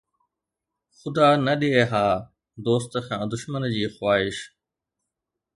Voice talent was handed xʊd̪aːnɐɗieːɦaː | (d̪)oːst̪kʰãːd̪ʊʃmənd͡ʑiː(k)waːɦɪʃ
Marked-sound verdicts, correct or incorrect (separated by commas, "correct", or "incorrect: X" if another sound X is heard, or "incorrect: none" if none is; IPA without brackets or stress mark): correct, incorrect: x